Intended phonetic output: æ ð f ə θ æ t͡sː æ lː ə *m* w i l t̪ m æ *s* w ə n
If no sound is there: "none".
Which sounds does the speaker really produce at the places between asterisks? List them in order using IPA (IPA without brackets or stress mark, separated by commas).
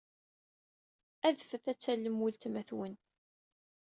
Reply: m, θ